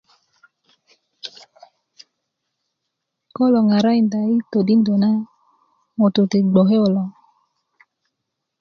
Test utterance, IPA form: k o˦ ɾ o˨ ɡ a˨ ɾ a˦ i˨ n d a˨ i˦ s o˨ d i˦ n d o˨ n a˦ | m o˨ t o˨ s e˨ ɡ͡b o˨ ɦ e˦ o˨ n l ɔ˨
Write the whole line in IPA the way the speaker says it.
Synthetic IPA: k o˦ l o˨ ŋ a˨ ɾ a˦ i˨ n d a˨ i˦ t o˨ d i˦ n d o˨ n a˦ | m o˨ t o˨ t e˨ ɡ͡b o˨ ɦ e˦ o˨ l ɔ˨

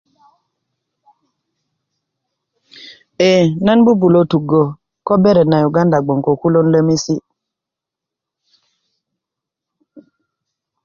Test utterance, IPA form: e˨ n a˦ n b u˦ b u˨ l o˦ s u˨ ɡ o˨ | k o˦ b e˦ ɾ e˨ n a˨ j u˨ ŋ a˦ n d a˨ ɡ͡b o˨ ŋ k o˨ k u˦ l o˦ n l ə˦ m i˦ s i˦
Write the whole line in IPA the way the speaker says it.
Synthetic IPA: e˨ n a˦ n b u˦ b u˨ l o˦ t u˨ ɡ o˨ | k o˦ b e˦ ɾ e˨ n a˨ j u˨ ɡ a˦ n d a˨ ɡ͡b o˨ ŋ k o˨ k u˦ l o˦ n l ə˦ m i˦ s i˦

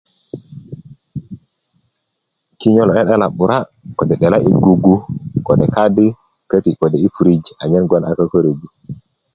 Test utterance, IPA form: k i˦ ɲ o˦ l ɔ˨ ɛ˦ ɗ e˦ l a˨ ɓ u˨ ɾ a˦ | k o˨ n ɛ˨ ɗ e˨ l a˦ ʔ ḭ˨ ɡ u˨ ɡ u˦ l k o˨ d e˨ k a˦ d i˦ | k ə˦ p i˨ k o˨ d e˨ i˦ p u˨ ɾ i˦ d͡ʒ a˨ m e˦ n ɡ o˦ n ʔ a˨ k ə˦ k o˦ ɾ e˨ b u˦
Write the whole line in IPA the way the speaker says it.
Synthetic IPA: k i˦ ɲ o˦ l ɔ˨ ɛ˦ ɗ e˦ l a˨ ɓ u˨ ɾ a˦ | k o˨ d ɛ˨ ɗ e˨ l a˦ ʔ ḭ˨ ɡ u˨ ɡ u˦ k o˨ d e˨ k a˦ d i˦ | k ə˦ t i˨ k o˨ d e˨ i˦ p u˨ ɾ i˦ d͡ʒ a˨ ɲ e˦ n ɡ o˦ n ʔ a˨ k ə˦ k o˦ ɾ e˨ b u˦

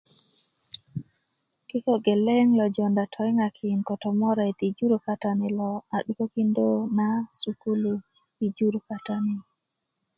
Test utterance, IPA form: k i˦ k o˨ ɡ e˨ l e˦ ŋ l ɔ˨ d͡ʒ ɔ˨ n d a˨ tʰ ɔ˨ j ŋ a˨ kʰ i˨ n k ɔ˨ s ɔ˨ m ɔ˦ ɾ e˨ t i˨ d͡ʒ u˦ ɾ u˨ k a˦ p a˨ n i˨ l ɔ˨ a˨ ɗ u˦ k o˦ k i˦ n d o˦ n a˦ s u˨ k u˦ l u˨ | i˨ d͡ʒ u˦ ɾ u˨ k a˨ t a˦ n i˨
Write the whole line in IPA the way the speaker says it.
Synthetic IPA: k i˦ k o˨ ɡ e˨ l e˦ ŋ l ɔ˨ d͡ʒ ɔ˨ n d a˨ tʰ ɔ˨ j ŋ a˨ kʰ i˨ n k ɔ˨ t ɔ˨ m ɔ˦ ɾ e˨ t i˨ d͡ʒ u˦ ɾ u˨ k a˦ t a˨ n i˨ l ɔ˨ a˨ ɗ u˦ k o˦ k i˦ n d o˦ n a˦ s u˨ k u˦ l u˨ | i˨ d͡ʒ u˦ ɾ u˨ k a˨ t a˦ n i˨

